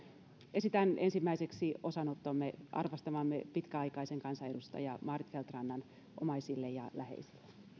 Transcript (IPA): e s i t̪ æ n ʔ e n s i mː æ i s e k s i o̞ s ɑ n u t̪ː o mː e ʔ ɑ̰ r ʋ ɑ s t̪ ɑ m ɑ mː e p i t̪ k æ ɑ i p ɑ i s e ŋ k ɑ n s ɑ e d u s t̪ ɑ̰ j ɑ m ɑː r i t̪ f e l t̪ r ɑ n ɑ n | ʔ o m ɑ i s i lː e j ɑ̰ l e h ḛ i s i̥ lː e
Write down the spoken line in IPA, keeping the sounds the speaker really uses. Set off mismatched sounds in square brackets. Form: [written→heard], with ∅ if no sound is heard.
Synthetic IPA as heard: e s i t̪ æ n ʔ e n s i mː æ i s e k s i o̞ s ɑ n [u→o] t̪ː o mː e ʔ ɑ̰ r ʋ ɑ s t̪ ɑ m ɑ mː e p i t̪ k æ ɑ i [p→k] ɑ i s e ŋ k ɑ n s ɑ e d u s t̪ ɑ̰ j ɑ m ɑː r i t̪ f e l t̪ r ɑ [n→nː] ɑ n | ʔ o m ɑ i s i lː e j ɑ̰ l [e→æ] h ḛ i s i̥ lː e